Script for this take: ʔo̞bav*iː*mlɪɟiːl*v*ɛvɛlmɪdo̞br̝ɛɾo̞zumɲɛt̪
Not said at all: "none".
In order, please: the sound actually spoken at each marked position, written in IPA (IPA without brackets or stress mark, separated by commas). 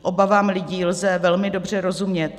aː, z